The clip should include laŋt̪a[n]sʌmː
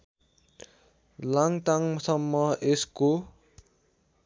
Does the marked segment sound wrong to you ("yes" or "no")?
yes